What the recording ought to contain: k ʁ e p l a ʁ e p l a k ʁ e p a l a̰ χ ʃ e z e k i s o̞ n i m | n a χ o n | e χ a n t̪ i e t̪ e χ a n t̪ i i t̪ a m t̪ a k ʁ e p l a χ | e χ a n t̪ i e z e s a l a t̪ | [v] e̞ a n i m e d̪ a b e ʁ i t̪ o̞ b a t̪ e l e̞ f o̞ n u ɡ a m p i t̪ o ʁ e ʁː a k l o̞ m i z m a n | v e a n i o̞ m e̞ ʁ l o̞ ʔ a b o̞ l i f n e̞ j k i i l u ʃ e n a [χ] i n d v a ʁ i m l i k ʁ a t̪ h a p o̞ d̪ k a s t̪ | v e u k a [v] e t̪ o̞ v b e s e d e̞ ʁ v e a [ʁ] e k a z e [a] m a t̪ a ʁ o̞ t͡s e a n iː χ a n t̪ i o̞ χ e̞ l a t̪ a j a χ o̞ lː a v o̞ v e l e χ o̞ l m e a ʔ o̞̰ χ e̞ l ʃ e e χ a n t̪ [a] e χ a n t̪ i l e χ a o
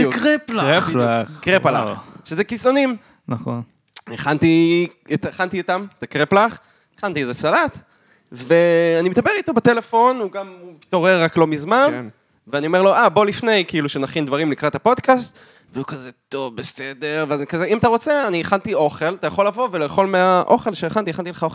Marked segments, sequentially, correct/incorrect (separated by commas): correct, correct, incorrect, incorrect, incorrect, incorrect